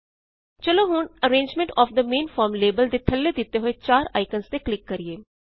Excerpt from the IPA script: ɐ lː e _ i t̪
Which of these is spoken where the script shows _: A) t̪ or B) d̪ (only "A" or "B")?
B